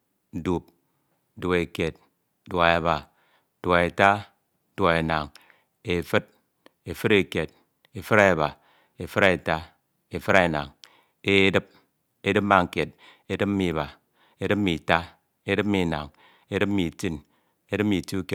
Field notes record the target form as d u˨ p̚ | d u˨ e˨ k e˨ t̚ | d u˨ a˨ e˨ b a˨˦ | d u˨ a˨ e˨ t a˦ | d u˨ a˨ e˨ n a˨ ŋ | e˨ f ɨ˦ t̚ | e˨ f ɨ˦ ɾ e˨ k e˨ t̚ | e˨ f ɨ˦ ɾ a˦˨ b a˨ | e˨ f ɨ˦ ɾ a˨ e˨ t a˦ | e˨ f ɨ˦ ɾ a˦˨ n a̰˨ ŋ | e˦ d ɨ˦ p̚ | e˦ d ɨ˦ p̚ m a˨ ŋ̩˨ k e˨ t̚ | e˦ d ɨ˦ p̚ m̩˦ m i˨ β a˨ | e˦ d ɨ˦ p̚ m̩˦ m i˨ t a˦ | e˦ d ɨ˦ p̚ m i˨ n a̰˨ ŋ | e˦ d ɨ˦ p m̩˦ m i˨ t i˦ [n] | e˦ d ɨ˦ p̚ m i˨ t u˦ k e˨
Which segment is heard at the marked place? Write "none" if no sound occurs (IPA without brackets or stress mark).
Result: n